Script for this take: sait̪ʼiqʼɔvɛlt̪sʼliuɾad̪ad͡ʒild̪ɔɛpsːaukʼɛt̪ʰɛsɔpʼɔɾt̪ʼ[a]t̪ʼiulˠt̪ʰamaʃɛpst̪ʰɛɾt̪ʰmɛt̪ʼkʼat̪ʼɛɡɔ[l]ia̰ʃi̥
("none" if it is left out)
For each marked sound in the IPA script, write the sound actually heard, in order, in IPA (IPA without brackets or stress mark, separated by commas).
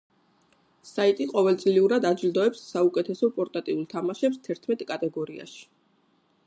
a, ɾ